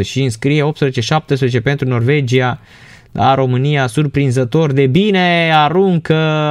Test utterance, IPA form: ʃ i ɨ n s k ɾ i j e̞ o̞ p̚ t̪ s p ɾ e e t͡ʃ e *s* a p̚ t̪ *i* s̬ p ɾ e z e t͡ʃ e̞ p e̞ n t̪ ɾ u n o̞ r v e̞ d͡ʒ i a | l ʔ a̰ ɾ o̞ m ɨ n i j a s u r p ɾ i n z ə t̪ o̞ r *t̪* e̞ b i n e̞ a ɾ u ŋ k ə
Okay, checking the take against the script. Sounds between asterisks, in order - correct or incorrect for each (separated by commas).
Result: incorrect, incorrect, incorrect